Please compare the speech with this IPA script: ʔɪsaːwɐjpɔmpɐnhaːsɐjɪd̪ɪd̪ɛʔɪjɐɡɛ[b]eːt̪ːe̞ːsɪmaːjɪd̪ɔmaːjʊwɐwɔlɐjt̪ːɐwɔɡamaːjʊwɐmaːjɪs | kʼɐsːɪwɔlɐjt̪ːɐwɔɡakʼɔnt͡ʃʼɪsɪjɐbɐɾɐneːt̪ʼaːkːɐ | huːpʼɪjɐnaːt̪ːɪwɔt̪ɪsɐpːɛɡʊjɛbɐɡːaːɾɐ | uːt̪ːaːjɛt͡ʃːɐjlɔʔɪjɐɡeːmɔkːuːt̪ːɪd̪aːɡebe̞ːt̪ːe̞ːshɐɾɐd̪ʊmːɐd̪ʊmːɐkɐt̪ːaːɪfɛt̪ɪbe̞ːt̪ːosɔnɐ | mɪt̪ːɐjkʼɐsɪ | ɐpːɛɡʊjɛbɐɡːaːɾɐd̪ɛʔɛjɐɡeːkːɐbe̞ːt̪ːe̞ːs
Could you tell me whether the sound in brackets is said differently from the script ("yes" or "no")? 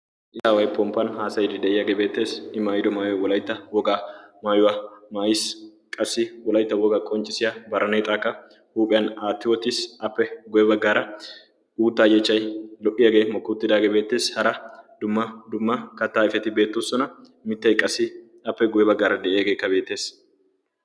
no